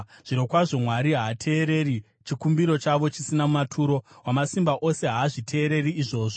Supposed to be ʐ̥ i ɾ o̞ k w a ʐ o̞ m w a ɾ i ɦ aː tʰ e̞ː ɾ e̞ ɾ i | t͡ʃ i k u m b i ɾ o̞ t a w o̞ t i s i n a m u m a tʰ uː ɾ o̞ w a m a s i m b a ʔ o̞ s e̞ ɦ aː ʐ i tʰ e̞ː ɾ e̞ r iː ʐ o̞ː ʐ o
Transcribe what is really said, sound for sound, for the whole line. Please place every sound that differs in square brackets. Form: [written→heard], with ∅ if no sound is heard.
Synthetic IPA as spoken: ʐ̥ i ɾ o̞ k w a ʐ o̞ m w a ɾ i ɦ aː tʰ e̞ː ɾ e̞ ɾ i | t͡ʃ i k u m b i ɾ o̞ [t→t͡ʃ] a [w→ʋ] o̞ [t→t͡ʃ] i s i n a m u m a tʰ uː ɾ o̞ w a m a s i m b a ʔ o̞ s e̞ ɦ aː ʐ i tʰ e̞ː ɾ e̞ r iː ʐ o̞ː ʐ o